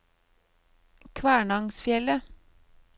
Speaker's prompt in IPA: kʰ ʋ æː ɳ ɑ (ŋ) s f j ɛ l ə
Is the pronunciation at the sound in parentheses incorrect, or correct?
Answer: correct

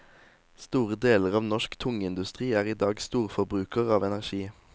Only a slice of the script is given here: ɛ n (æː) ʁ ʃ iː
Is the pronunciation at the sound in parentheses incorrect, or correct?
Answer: incorrect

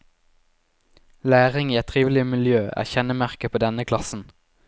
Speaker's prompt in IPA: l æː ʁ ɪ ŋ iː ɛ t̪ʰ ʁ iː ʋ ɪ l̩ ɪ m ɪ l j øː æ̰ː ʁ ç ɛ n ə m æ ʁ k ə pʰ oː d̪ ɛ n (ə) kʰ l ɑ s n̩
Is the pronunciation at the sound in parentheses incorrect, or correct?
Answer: correct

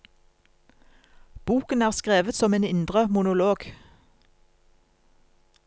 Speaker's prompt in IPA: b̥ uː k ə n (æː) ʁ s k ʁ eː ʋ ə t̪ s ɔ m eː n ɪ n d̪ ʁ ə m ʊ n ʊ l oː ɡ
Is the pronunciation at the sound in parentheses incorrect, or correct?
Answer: correct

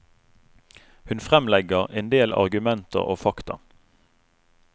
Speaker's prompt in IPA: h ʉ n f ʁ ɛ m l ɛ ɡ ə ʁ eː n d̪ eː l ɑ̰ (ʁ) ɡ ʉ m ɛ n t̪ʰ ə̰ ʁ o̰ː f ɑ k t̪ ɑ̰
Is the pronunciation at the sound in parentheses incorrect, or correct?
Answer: correct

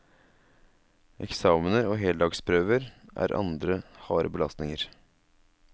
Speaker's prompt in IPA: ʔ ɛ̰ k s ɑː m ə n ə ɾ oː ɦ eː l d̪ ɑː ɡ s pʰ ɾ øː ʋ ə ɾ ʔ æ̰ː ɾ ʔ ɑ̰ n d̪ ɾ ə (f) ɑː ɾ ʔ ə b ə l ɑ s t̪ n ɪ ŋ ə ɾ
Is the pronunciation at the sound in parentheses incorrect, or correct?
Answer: incorrect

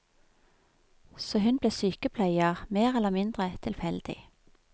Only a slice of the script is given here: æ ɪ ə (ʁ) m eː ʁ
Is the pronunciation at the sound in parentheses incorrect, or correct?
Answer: correct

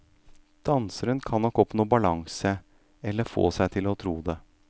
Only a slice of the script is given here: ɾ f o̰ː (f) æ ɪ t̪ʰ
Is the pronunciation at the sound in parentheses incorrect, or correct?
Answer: incorrect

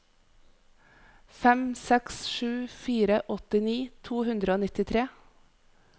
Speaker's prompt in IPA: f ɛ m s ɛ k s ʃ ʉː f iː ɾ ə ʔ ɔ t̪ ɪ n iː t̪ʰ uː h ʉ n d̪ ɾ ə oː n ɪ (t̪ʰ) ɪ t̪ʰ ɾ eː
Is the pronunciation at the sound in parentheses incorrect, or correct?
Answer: incorrect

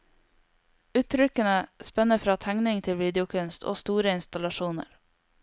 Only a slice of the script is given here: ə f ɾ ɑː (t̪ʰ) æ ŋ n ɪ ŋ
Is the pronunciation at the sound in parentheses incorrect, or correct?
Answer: correct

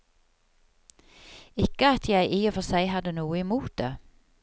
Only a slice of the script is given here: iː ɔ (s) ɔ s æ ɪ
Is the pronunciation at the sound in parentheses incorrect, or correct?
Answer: incorrect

